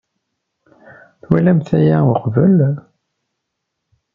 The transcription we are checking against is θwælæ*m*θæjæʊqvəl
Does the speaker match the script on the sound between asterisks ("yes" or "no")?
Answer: yes